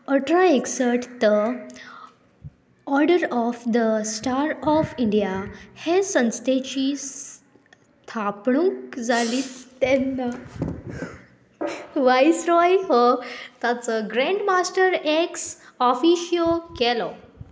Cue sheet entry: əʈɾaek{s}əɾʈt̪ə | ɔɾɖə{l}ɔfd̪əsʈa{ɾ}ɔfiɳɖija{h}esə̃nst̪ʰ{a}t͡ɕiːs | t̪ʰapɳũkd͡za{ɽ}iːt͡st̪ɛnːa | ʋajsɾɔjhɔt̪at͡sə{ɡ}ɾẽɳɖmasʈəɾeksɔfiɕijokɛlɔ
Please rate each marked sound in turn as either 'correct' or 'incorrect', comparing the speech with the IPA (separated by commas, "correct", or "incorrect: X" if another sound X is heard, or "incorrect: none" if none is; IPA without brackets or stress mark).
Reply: correct, incorrect: ɾ, correct, correct, incorrect: e, incorrect: l, correct